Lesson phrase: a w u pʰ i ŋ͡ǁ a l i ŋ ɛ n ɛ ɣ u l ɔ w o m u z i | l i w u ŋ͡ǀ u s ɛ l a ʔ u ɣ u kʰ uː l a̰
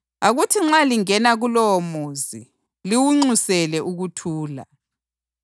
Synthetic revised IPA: a ɣ u tʰ i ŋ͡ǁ a l i ŋ ɛ n a ɣ u l ɔ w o m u z i | l i w u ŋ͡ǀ u s ɛ l ɛ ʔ u ɣ u tʰ uː l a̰